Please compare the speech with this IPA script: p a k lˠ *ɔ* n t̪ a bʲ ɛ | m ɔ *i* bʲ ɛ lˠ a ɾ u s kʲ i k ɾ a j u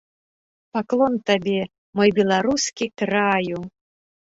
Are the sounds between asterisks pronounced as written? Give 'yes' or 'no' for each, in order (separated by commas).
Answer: yes, no